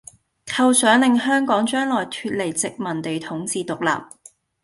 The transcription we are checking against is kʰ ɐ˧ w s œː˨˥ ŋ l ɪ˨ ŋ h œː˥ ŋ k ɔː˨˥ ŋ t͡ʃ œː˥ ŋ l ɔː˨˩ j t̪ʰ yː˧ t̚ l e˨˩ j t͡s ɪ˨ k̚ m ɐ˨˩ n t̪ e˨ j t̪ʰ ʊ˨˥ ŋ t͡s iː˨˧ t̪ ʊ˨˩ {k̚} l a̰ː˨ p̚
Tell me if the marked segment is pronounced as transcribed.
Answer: yes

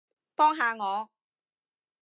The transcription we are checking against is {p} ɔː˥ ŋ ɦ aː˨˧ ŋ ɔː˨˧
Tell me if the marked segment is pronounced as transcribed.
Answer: yes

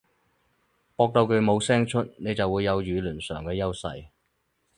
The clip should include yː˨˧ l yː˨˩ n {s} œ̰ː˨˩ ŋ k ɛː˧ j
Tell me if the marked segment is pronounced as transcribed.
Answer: yes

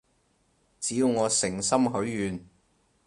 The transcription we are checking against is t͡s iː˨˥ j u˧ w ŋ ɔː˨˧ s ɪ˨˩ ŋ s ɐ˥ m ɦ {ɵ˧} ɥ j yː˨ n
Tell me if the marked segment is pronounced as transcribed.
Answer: no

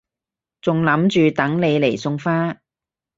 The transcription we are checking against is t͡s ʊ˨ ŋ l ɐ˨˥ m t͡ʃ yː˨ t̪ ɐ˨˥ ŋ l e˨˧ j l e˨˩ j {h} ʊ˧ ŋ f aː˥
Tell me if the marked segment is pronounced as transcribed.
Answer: no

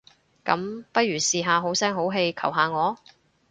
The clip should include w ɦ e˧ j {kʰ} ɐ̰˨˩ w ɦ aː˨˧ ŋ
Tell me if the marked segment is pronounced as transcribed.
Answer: yes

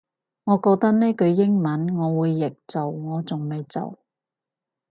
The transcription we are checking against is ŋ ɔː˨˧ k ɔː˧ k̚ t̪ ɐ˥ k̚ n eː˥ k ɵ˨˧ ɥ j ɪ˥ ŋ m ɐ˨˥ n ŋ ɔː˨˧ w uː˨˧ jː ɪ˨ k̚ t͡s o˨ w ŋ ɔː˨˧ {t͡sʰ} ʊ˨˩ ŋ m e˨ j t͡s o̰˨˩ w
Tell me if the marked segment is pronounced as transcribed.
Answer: no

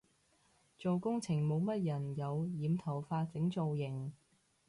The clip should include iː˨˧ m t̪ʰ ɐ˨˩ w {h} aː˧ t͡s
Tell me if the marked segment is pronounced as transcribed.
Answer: no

